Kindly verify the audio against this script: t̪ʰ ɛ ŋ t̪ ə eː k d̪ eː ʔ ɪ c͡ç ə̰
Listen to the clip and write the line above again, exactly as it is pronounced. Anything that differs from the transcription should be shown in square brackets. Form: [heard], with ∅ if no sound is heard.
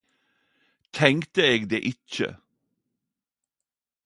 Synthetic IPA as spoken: t̪ʰ ɛ ŋ t̪ ə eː [ɡ] d̪ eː ʔ ɪ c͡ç ə̰